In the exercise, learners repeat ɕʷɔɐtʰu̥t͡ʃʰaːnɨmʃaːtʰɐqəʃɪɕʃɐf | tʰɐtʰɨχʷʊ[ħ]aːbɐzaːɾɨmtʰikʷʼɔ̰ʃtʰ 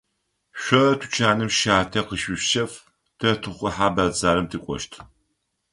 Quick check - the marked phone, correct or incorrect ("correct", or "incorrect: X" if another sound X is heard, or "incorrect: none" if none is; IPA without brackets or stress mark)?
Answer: correct